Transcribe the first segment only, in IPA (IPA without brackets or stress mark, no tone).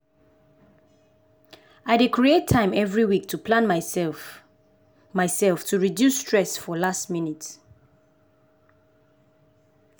a